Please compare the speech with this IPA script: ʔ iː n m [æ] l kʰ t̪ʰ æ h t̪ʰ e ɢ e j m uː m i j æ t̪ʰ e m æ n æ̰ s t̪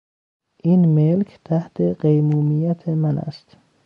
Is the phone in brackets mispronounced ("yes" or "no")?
yes